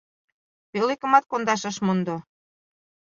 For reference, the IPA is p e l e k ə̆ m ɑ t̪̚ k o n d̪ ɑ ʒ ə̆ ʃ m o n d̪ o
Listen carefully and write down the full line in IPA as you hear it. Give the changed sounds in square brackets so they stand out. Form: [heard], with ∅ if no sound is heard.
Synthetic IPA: p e l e k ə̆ m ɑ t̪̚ k o n d̪ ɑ [ʃ] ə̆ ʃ m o n d̪ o